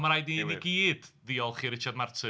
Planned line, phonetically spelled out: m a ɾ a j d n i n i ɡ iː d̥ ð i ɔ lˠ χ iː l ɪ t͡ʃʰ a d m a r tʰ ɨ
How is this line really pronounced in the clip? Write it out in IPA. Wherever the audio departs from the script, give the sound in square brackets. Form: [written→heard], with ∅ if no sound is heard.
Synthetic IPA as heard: m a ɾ a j d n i n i ɡ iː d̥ ð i ɔ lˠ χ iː [l→ɾ] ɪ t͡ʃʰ a d m a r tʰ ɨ